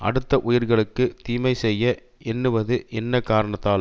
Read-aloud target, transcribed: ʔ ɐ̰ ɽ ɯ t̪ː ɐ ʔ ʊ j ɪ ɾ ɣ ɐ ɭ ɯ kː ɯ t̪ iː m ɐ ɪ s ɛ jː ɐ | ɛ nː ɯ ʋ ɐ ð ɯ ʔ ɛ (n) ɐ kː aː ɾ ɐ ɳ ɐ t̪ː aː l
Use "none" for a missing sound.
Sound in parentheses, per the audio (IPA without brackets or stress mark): nː